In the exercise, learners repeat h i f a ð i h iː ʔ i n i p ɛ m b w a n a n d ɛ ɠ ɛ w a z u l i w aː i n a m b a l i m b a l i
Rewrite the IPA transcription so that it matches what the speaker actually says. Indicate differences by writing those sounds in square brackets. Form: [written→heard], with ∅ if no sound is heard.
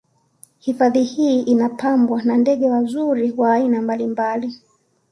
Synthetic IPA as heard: h i f a ð i h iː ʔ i n [i→a] p [ɛ→a] m b w a n a n d ɛ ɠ ɛ w a z u [l→ɾ] i w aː i n a m b a l i m b a l i